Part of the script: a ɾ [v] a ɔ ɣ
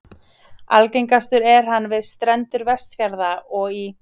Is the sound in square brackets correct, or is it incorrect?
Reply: incorrect